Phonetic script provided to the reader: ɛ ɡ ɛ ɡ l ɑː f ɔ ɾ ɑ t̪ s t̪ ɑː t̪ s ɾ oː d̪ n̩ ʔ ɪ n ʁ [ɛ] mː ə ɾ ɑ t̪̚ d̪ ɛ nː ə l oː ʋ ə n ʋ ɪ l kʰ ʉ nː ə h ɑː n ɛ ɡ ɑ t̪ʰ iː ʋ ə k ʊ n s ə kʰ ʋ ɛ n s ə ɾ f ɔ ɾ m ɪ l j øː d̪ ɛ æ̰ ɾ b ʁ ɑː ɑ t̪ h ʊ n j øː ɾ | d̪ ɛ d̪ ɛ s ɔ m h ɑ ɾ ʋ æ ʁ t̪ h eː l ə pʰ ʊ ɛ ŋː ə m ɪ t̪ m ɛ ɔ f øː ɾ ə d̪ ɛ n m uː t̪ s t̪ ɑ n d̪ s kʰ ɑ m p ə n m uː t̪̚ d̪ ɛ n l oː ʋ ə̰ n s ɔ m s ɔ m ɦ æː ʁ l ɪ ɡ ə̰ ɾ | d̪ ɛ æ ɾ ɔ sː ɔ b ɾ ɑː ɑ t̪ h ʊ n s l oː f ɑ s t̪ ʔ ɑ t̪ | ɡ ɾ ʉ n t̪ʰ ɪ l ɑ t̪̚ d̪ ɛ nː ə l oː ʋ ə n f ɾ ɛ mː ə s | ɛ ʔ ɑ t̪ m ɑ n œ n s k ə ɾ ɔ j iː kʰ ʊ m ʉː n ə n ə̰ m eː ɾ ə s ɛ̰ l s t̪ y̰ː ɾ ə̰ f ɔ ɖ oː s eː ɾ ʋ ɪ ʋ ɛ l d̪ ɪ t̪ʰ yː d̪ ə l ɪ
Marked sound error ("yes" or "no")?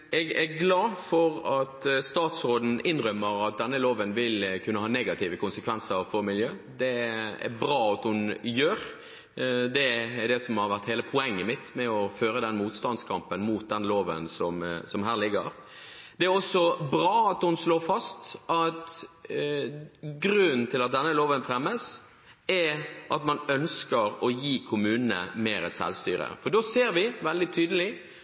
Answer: yes